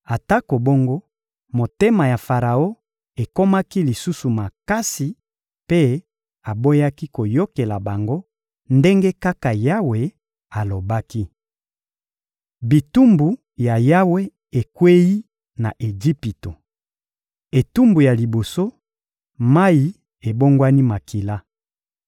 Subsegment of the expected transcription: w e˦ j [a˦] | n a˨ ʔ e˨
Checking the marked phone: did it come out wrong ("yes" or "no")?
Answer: yes